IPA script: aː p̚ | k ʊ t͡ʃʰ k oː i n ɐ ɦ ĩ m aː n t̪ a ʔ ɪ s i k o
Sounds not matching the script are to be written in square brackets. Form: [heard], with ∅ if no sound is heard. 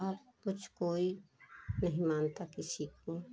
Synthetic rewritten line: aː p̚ | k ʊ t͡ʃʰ k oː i n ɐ ɦ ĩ m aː n t̪ a [k] ɪ s i k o